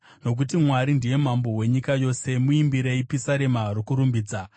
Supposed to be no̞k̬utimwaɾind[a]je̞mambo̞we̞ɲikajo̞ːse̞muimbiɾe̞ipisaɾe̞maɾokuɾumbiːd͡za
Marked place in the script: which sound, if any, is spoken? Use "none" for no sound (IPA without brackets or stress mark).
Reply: i